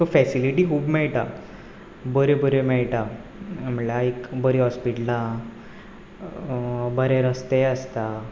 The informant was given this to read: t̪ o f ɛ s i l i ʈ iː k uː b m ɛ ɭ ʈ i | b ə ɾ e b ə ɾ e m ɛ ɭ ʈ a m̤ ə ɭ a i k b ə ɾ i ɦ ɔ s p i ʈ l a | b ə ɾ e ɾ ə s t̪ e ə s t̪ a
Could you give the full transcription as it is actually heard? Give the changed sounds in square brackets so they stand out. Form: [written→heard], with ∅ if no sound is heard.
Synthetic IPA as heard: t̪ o f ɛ s i l i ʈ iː k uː b m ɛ ɭ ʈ [i→a] | b ə ɾ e b ə ɾ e m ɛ ɭ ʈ a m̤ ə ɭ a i k b ə ɾ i ɦ ɔ s p i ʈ l a | b ə ɾ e ɾ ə s t̪ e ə s t̪ a